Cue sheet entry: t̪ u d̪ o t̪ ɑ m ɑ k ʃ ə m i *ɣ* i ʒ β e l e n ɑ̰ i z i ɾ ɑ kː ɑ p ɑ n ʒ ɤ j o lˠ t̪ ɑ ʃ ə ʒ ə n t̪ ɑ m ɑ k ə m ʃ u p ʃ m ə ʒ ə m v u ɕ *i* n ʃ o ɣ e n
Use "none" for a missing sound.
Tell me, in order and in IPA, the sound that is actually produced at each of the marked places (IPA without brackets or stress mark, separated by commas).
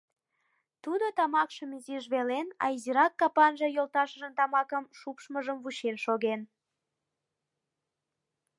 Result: z, e